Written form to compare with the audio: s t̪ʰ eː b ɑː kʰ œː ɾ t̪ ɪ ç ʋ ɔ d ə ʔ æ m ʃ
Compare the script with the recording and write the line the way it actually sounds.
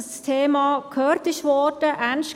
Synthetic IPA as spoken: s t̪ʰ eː m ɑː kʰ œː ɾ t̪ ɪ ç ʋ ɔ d ə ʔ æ n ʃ